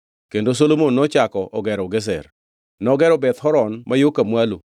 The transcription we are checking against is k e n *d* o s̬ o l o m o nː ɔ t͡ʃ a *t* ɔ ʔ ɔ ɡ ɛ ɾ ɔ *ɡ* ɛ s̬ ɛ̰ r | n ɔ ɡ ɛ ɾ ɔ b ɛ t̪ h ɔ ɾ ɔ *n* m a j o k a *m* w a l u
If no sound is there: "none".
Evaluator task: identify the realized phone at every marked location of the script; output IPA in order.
d, k, ɡ, n, m

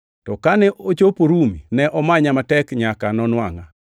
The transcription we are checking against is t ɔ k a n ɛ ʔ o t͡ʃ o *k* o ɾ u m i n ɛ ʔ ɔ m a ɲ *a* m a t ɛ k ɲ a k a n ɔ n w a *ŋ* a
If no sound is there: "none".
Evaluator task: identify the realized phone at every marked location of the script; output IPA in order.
p, a, ŋ

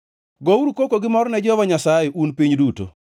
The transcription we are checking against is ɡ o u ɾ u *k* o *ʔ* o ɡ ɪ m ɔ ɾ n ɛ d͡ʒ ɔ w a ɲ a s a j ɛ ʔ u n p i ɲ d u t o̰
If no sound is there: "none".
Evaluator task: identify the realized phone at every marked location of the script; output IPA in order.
k, k

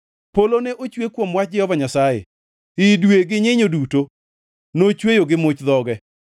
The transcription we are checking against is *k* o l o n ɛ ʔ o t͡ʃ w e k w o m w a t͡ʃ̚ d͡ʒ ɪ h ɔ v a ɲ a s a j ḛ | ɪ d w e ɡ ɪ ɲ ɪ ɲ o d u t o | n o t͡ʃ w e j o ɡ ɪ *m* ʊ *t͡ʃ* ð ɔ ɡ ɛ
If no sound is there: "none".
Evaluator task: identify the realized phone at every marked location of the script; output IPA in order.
p, m, t͡ʃ

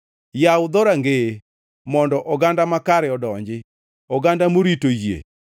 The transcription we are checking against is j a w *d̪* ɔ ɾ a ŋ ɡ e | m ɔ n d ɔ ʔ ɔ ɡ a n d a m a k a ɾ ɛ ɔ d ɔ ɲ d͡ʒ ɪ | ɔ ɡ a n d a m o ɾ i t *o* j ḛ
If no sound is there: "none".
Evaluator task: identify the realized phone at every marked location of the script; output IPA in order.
d̪, o

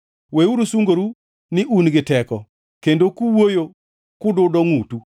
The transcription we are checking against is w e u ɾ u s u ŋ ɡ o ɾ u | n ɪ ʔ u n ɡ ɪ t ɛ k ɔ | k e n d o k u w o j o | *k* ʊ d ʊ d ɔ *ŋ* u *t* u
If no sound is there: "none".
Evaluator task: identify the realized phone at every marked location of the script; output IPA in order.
k, ŋ, t

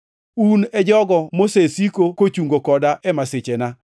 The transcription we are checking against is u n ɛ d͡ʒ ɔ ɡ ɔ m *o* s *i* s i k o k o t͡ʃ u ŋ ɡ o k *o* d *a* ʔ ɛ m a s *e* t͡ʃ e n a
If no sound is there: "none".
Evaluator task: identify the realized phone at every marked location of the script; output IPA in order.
o, e, ɔ, a, e

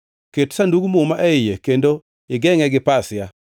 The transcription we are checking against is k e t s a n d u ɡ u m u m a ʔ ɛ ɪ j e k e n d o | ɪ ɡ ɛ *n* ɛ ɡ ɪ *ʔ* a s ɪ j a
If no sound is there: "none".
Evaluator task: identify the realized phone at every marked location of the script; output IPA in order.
ŋ, p

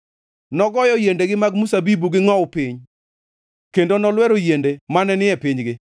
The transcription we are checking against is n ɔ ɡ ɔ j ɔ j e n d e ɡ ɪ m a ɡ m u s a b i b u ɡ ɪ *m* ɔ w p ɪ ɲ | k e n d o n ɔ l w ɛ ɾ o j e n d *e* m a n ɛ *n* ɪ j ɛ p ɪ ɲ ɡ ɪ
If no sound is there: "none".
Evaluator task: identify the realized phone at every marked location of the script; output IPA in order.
ŋ, e, n

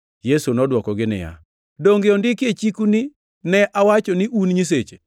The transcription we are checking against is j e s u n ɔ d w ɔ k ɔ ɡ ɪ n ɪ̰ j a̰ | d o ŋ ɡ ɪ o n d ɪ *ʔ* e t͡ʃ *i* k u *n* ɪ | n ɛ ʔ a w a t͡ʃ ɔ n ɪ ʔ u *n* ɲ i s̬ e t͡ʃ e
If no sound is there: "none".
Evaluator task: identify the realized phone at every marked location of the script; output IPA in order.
k, i, n, n

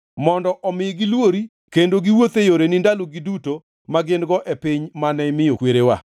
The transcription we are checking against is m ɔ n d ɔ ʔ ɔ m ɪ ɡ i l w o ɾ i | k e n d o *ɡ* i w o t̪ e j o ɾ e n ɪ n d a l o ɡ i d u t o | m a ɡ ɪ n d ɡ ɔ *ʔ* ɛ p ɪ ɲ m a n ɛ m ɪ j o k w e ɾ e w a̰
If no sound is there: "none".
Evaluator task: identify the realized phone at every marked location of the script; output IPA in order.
ɡ, ʔ

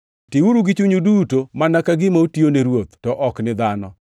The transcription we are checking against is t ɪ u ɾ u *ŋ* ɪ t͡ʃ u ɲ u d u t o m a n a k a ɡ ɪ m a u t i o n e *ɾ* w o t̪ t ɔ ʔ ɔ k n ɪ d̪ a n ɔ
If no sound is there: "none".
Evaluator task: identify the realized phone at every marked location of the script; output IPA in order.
ɡ, ɾ

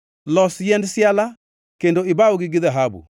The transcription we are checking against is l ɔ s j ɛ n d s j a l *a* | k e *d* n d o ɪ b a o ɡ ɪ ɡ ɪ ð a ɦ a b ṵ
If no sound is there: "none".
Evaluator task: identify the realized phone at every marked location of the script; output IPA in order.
a, none

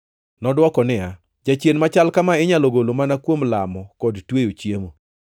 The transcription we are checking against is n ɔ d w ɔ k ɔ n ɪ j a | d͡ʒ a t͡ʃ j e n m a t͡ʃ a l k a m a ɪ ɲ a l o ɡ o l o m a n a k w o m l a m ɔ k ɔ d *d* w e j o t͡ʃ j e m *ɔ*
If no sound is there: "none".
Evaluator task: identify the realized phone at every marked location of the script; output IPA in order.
t, o

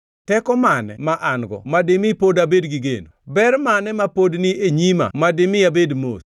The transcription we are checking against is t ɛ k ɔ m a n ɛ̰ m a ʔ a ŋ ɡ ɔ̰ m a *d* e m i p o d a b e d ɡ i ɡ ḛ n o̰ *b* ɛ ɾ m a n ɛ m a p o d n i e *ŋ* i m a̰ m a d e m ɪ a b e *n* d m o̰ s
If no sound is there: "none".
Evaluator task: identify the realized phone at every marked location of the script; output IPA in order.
d, b, ɲ, none

